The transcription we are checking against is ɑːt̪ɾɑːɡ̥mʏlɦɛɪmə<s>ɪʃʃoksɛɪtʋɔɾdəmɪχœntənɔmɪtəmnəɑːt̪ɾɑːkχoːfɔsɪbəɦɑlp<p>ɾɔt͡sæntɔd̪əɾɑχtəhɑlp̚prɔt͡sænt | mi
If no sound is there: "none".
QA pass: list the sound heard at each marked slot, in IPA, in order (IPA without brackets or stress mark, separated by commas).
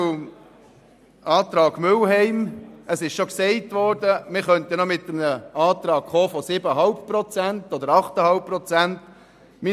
s, p